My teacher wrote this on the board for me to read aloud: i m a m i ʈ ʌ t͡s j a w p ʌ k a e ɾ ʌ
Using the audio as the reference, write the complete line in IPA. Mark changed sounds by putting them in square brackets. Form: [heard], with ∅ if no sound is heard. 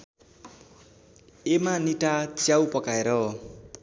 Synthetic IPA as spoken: [e] m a [n] i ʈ [a] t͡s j a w p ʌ k a e ɾ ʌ